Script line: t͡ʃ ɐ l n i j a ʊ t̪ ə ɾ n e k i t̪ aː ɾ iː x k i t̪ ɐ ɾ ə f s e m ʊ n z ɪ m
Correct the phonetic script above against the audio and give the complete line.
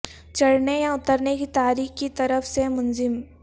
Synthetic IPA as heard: t͡ʃ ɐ ɽ n e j a ʊ t̪ ə ɾ n e k i t̪ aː ɾ iː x k i t̪ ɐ ɾ ə f s e m ʊ n z ɪ m